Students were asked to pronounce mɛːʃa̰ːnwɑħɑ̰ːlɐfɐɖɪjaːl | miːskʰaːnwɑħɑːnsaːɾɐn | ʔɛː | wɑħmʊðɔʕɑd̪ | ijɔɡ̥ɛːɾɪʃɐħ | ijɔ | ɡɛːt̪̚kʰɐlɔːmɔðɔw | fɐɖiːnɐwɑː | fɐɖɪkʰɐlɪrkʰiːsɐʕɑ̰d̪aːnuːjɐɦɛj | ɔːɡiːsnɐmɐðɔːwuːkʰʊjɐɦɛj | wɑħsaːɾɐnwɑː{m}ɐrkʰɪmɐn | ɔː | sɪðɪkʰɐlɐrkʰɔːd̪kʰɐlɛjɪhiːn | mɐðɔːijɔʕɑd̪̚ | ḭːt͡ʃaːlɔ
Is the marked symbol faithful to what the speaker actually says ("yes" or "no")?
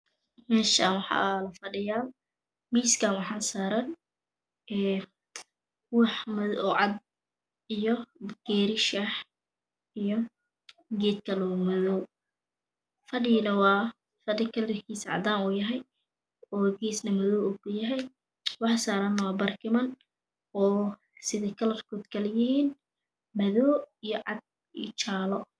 no